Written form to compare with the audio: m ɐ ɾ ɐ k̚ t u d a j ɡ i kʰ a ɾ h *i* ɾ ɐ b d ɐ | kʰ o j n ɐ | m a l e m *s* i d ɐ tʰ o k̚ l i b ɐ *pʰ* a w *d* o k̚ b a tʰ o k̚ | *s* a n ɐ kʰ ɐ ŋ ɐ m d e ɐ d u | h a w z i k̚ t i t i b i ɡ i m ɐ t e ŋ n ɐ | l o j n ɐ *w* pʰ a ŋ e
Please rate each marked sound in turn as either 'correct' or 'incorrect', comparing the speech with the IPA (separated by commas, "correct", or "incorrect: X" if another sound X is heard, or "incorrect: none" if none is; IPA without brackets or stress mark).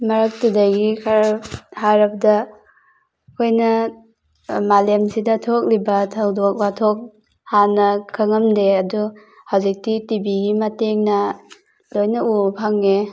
incorrect: a, correct, incorrect: tʰ, correct, incorrect: h, incorrect: u